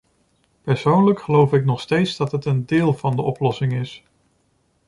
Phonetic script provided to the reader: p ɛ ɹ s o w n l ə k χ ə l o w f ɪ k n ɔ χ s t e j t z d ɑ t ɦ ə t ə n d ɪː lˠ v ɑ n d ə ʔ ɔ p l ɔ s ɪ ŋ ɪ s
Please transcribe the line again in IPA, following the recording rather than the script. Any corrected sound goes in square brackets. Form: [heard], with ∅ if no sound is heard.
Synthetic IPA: p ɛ ɹ s o w n l ə k χ ə l o w f ɪ k n ɔ χ s t e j t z d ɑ t ɦ ə t ə n d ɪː lˠ v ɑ n d ə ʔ ɔ p l ɔ s ɪ ŋ ɪ s